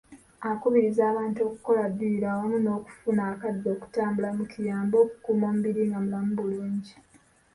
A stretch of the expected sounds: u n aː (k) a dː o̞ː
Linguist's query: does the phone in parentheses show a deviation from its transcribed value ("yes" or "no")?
no